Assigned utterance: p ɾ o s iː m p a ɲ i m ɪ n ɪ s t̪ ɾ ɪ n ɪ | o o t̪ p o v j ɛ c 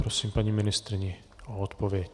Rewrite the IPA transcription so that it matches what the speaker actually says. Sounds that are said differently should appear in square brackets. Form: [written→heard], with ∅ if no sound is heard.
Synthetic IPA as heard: p ɾ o s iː m p a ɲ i m ɪ n ɪ s t̪ ɾ ɪ [n→ɲ] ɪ | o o t̪ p o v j ɛ c